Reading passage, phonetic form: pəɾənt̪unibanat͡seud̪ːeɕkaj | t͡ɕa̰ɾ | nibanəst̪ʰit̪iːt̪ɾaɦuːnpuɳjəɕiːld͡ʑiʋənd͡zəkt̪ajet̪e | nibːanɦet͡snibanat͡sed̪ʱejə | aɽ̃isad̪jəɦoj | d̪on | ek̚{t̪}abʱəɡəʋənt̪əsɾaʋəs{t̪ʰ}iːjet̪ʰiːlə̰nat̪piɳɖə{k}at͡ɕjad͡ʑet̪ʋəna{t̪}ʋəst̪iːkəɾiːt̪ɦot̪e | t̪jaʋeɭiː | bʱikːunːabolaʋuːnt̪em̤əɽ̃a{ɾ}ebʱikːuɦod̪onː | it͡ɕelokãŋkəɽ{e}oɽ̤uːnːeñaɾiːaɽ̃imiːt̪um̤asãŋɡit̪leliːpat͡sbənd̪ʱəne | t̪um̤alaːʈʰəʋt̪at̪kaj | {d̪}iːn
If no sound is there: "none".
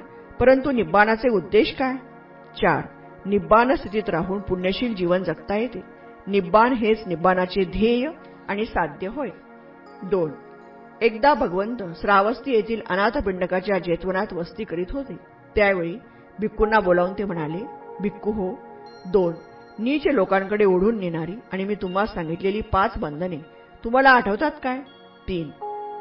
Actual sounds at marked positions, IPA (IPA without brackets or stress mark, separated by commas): d̪, t̪, k, t̪, l, e, t̪